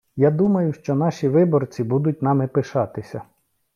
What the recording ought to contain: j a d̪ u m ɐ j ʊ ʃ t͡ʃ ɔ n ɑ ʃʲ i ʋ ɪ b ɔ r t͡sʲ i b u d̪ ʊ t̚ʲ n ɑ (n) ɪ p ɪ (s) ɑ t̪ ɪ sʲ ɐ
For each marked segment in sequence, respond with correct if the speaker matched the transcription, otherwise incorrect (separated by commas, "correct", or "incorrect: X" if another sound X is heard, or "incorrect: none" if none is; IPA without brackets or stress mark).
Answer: incorrect: m, incorrect: ʃ